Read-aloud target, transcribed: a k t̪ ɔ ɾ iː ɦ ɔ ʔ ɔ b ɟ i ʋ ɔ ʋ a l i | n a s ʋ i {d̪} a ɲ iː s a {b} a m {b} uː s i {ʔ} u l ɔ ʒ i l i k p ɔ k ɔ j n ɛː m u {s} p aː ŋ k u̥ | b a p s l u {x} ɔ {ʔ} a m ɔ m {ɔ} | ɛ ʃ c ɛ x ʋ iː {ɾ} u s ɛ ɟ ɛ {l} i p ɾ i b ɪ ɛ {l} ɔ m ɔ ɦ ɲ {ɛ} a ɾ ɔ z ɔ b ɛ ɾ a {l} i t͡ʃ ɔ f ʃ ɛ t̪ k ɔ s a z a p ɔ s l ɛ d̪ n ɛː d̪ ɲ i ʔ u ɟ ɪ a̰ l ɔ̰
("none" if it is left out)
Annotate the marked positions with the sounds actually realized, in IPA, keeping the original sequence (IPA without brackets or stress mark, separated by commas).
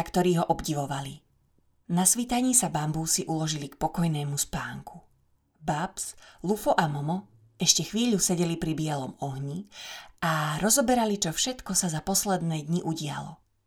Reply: t̪, b, b, ʔ, s, f, ʔ, ɔ, ʎ, l, l, i, l